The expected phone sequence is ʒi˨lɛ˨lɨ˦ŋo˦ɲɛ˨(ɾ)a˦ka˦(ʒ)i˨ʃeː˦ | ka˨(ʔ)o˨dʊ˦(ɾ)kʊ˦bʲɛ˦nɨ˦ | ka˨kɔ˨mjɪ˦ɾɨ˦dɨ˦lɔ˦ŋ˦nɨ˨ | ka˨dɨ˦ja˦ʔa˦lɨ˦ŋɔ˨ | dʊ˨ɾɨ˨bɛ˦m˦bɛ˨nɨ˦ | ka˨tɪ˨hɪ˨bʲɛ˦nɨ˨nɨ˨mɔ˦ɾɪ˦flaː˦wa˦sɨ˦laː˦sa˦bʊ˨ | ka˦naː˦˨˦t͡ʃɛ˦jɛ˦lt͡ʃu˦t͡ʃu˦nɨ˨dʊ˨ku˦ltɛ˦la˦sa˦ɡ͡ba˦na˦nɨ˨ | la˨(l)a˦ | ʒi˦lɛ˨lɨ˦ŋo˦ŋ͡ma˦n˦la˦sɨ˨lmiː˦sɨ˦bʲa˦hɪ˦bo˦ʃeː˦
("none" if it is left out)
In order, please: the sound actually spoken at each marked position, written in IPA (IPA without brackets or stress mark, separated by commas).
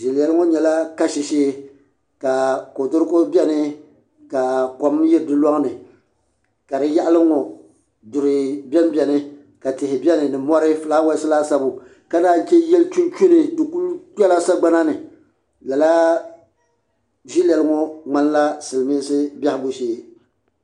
l, ʃ, k, ɾ, l